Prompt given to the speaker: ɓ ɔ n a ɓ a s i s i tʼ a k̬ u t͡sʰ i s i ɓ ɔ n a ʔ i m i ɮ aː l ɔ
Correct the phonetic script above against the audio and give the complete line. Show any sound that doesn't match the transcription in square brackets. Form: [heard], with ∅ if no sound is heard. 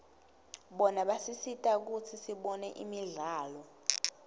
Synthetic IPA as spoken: ɓ ɔ n a ɓ a s i s i tʼ a k̬ u t͡sʰ i s i ɓ ɔ n [ɛ] ʔ i m i ɮ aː l ɔ